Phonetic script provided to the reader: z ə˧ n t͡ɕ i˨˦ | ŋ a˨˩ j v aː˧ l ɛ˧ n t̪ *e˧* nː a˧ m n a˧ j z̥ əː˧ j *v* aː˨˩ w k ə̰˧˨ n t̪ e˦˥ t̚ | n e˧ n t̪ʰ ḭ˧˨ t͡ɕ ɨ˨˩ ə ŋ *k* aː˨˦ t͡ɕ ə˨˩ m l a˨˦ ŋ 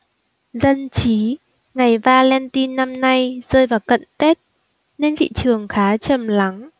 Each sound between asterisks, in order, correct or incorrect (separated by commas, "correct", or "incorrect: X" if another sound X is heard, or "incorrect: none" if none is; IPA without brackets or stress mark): incorrect: i˧, correct, incorrect: x